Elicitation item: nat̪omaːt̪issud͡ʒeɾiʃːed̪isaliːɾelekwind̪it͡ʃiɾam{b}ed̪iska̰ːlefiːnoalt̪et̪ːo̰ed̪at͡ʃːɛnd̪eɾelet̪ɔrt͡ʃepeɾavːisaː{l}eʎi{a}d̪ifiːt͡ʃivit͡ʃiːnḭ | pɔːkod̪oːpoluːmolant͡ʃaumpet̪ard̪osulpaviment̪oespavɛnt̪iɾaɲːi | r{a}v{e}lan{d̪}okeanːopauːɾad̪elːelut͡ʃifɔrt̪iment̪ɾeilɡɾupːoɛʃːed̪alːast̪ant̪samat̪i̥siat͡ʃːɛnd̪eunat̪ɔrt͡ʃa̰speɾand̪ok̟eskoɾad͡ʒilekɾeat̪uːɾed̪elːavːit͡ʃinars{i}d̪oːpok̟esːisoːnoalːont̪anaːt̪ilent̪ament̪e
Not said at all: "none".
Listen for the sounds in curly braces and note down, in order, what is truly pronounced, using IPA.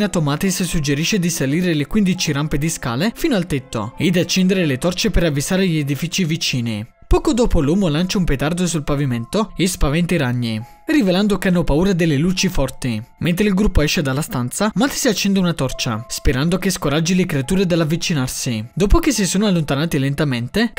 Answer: p, ɾ, e, i, e, d̪, i

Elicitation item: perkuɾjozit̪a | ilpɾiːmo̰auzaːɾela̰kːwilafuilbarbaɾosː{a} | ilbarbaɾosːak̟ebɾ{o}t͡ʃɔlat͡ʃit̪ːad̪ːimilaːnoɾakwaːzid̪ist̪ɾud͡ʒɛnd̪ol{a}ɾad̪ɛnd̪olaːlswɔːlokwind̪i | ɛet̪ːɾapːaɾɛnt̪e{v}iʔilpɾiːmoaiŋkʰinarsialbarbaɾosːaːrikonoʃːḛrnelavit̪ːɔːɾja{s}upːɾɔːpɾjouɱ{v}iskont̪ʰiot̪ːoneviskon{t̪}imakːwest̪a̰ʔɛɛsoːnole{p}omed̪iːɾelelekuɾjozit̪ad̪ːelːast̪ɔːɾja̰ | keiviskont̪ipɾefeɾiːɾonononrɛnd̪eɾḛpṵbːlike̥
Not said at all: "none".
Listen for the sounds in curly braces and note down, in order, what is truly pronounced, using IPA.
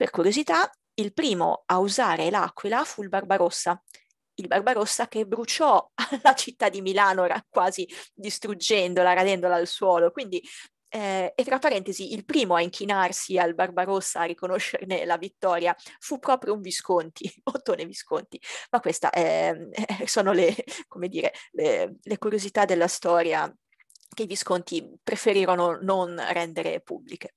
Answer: a, u, a, z, f, v, t̪, k

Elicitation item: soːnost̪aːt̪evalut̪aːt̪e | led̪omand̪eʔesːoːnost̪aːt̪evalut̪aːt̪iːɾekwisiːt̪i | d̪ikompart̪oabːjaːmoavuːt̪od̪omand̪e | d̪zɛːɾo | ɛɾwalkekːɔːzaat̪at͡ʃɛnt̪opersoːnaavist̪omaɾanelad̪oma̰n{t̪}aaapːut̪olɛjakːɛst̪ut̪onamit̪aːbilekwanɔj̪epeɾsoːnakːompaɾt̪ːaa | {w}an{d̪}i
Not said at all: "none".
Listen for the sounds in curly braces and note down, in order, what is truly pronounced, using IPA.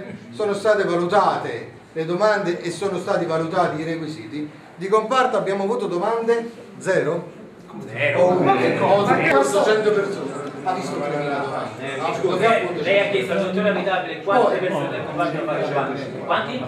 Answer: d̪, w, t̪

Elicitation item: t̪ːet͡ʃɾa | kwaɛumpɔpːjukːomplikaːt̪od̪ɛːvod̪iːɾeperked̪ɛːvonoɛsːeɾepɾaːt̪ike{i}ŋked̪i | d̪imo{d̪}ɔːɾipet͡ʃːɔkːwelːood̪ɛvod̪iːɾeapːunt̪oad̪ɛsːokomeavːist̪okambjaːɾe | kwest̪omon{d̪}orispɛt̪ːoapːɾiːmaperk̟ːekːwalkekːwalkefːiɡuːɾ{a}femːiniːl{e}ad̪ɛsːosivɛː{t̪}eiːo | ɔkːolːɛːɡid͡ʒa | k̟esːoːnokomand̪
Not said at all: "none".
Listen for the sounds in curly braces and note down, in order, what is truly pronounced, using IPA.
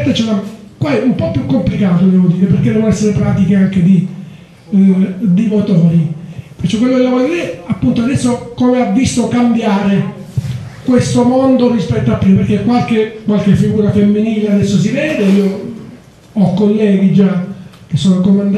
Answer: a, t̪, d̪, a, e, d̪

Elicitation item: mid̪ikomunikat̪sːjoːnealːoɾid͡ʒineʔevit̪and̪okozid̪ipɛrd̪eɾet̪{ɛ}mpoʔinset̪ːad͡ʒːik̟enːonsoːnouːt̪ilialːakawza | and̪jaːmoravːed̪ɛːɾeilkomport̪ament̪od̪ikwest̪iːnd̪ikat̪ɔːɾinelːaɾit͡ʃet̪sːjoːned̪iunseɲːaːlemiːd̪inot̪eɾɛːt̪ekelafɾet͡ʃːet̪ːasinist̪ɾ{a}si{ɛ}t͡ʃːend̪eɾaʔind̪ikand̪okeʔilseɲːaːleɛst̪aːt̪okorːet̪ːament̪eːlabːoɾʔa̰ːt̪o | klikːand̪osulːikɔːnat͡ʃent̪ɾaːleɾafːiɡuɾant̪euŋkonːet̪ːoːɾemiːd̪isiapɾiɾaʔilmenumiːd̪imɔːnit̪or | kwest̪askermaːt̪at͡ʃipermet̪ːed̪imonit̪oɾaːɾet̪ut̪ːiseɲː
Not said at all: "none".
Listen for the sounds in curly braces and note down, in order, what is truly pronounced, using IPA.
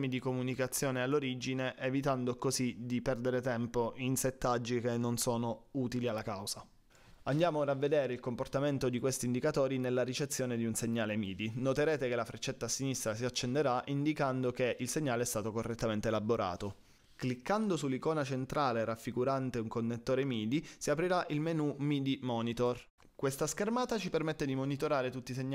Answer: ɛ, a, a

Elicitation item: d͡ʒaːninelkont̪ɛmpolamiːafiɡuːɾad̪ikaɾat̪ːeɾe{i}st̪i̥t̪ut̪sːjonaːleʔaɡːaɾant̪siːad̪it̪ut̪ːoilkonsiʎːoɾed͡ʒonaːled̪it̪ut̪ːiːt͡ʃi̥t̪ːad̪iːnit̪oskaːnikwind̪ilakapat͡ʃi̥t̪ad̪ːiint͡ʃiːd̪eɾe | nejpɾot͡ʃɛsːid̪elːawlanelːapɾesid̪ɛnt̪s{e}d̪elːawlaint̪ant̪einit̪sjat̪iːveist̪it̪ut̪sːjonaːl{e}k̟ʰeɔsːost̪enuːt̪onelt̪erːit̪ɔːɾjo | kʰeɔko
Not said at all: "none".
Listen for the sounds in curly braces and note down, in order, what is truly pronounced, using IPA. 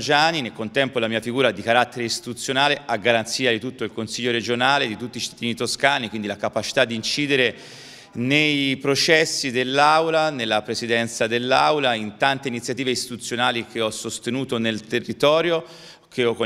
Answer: i, a, i

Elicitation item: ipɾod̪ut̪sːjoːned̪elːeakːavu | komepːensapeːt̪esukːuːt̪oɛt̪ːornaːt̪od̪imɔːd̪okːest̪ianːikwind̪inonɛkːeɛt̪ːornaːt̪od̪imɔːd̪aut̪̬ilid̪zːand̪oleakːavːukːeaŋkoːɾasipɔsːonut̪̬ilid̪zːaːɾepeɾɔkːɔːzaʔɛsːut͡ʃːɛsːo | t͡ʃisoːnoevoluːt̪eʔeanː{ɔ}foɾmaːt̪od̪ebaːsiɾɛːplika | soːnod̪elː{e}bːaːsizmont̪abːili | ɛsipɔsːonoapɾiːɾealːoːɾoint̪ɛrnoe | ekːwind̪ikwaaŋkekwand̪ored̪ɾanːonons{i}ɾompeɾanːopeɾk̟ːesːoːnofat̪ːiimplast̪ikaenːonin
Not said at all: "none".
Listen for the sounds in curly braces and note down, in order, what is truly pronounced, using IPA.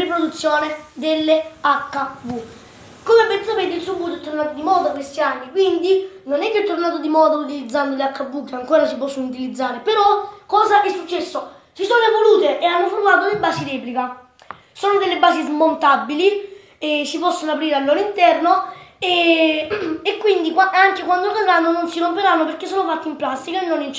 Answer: o, e, i

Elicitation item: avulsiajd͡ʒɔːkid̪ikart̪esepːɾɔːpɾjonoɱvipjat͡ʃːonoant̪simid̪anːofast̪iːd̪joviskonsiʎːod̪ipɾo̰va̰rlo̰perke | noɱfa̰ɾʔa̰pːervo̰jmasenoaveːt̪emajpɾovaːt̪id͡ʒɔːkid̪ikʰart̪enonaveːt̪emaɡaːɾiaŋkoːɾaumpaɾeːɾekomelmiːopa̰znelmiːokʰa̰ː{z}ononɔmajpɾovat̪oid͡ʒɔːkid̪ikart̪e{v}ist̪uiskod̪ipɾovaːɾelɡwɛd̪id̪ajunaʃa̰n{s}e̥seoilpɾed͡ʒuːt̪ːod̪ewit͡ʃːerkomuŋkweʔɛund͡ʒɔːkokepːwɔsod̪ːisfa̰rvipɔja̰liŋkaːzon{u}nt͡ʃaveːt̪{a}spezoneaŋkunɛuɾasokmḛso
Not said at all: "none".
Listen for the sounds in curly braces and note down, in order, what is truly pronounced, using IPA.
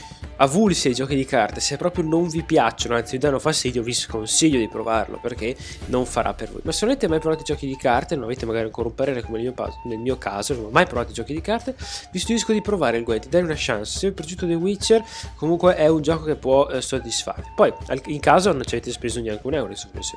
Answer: z, v, s, o, e

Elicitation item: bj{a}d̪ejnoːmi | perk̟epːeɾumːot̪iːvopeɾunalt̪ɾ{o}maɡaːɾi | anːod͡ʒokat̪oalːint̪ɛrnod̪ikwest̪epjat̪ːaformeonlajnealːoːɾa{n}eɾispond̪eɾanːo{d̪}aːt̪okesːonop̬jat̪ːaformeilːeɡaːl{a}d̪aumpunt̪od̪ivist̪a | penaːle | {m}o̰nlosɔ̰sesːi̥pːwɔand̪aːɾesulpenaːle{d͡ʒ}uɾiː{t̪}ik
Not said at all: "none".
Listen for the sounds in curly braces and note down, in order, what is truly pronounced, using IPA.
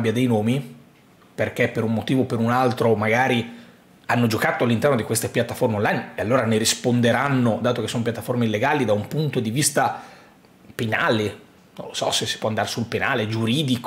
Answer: a, o, n, d̪, i, n, d͡ʒ, d̪

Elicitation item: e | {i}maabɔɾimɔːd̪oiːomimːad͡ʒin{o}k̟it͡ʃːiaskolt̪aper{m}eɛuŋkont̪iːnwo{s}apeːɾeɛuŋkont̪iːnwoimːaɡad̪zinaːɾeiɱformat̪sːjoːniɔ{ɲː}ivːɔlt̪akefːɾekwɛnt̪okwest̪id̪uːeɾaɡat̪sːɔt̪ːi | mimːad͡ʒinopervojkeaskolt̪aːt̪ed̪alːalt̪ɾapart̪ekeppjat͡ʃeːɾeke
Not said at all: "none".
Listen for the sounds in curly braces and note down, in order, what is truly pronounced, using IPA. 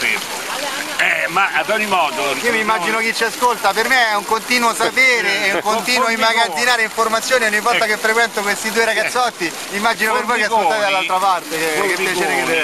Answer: ɛ, o, m, s, ɲː

